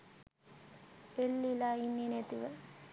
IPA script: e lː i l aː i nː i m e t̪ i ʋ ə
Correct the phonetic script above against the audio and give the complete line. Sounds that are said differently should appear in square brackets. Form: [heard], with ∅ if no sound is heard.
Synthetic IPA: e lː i l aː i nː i [n] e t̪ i ʋ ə